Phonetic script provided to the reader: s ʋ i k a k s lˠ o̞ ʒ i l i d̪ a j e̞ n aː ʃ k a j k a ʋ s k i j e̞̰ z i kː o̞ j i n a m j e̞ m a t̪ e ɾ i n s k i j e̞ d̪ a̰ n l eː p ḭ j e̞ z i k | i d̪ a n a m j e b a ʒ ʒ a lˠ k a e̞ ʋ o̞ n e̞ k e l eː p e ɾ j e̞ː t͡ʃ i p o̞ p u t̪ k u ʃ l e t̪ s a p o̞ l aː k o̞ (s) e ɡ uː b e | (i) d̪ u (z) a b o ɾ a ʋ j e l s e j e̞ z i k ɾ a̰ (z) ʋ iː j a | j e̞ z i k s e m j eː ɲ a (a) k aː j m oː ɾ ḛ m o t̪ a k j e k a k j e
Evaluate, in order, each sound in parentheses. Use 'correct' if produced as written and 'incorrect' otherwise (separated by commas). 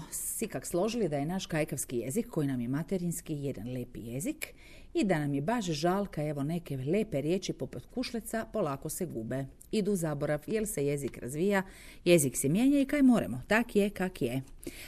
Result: correct, correct, correct, correct, incorrect